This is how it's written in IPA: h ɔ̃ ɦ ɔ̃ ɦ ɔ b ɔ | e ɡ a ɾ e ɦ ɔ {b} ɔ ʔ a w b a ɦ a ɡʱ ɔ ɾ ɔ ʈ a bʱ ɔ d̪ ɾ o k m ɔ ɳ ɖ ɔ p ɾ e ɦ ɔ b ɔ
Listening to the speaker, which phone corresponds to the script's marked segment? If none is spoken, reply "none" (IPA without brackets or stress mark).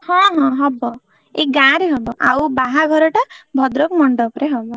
b